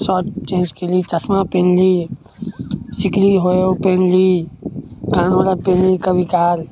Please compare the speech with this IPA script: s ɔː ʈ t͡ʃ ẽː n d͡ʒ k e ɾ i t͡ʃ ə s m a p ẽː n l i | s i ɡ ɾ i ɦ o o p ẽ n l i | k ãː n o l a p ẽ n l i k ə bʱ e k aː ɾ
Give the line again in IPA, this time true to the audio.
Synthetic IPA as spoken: s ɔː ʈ t͡ʃ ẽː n d͡ʒ k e l i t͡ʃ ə s m a p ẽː n l i | s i k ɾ i ɦ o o p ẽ n l i | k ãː n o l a p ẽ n l i k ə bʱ i k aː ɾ